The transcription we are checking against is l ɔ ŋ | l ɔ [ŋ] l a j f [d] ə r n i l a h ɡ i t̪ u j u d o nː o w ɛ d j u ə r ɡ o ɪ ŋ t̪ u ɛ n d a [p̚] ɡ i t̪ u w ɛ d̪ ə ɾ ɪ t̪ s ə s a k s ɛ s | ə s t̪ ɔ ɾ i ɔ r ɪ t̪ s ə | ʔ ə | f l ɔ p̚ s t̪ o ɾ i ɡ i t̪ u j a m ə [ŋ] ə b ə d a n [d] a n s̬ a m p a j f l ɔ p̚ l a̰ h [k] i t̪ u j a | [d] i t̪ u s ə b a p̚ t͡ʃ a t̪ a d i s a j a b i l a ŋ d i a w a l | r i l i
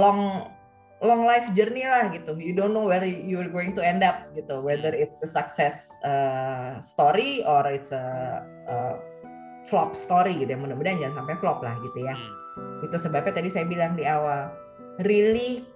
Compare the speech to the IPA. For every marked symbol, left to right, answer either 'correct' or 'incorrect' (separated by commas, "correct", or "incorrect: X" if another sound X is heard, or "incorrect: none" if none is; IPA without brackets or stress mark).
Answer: correct, incorrect: d͡ʒ, correct, incorrect: n, incorrect: d͡ʒ, incorrect: ɡ, incorrect: ɡ